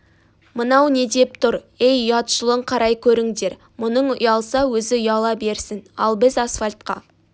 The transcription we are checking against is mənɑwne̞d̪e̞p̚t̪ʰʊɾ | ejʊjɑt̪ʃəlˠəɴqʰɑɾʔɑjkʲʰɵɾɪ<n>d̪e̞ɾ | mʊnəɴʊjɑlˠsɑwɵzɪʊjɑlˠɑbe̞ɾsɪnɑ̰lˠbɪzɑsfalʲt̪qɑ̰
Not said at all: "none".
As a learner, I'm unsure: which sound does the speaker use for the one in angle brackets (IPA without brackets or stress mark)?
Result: ŋ